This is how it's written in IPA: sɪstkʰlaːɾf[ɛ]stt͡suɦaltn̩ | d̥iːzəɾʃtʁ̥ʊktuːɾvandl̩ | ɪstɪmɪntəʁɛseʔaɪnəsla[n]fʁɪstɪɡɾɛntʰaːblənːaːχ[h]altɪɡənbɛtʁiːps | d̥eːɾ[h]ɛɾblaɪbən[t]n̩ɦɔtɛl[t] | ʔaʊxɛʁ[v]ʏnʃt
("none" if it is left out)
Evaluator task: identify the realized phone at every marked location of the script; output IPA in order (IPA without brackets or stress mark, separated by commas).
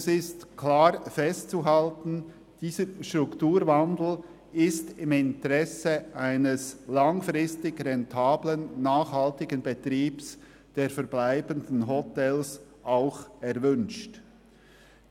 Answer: ɛ, ŋ, h, f, d, s, v